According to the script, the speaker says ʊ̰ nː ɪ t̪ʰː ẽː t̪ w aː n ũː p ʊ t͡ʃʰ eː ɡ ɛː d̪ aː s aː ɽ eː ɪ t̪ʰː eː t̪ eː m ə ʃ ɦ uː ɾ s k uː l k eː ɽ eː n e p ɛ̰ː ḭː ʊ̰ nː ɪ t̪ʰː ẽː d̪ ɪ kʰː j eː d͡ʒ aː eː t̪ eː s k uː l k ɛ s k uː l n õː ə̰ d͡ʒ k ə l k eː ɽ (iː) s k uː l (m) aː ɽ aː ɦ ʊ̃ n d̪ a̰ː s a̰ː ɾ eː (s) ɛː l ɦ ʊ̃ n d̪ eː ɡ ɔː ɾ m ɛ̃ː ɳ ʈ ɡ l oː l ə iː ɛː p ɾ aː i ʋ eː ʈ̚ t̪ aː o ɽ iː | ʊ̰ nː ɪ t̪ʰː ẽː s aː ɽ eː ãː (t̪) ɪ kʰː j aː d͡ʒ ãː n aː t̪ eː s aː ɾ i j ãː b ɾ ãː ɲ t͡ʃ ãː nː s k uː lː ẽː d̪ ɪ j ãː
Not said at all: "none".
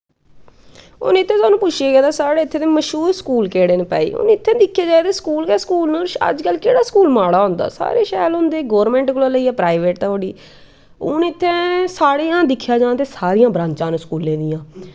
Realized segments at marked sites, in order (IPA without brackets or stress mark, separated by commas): aː, m, ʃ, d̪